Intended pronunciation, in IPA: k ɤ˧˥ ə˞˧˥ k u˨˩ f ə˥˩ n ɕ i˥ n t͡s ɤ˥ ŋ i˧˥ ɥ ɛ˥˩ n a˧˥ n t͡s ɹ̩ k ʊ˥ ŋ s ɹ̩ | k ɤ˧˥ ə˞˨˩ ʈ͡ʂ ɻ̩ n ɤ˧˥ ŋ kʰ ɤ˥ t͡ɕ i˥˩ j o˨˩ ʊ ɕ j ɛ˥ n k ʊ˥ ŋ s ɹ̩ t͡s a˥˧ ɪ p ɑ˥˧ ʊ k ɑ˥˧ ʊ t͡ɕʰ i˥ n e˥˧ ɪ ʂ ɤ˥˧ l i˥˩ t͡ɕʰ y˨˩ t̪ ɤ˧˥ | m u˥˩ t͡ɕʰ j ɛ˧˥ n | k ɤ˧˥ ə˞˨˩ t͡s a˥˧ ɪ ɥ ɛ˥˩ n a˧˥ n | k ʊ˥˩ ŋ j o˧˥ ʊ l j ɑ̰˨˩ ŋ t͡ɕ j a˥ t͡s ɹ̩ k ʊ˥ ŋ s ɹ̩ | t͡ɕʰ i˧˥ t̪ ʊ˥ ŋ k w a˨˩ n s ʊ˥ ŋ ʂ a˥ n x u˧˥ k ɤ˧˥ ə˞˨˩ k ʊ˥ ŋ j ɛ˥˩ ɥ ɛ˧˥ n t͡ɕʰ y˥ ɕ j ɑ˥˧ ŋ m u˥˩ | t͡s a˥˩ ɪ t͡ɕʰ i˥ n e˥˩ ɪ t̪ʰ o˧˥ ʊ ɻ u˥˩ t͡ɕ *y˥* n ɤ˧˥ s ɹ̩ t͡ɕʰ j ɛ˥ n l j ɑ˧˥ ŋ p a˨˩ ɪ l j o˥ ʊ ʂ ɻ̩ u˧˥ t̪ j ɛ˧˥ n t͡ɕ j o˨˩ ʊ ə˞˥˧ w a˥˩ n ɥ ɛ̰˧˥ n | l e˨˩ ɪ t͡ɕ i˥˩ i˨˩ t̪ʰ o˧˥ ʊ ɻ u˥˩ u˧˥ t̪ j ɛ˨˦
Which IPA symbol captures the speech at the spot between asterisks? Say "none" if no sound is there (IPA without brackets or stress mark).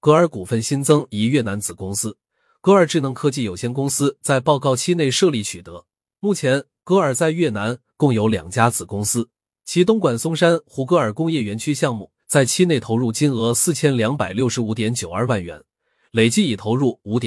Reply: i˥